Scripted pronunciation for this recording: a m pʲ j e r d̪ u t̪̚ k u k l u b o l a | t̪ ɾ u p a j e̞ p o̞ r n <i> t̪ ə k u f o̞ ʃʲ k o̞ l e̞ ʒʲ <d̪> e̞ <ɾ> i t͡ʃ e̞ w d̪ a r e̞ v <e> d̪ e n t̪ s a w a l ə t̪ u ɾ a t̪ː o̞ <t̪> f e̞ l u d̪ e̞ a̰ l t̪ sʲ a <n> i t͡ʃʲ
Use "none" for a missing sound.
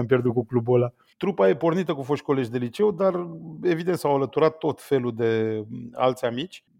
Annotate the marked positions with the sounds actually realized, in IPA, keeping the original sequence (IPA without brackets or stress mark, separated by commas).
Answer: i, d̪, l, i, t̪, m